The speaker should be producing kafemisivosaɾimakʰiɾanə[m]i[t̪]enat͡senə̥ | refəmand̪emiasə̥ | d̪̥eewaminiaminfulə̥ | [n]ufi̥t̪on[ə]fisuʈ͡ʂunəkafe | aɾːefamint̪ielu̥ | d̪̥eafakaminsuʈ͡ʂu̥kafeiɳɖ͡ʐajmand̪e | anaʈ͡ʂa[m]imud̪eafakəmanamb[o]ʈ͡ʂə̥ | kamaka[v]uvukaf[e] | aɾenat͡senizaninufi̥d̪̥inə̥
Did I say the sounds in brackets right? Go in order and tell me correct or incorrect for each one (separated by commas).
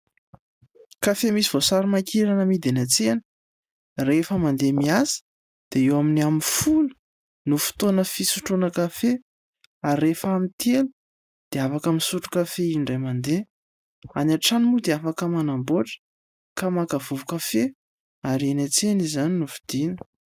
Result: correct, incorrect, correct, correct, incorrect, correct, correct, correct